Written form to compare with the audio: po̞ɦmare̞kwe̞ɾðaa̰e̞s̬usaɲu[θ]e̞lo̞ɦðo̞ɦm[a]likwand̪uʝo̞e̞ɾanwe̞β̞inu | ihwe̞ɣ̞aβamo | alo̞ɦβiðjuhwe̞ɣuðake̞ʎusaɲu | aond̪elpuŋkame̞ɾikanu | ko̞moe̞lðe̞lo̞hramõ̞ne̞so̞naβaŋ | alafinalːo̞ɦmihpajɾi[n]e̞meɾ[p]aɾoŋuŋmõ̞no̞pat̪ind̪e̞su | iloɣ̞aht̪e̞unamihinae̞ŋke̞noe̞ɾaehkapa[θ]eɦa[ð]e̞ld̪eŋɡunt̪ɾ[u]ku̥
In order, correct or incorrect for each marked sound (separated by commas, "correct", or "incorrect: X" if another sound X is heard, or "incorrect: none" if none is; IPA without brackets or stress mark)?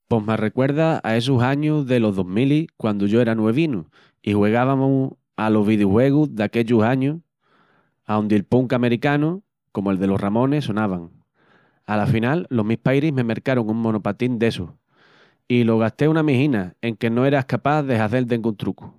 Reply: incorrect: ð, incorrect: i, incorrect: m, incorrect: k, incorrect: ð, incorrect: θ, correct